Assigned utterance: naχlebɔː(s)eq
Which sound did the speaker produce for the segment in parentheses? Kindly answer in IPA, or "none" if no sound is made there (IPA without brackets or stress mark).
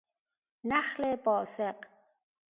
s